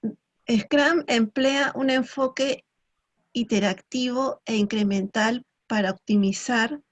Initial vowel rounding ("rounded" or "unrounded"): unrounded